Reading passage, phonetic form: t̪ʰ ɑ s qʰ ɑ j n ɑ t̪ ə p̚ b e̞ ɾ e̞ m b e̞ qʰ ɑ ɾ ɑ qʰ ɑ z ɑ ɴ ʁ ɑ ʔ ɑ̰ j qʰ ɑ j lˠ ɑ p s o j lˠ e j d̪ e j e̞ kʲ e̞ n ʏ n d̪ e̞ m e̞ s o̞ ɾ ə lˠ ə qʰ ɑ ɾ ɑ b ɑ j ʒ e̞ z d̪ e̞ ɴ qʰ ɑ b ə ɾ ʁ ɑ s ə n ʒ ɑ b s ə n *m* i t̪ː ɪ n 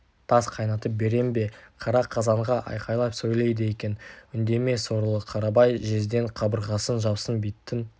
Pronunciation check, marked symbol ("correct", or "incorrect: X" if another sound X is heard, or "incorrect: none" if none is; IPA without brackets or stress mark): incorrect: b